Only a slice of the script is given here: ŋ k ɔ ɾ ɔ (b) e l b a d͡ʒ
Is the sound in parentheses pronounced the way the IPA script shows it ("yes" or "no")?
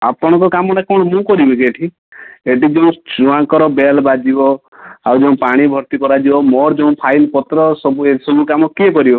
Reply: yes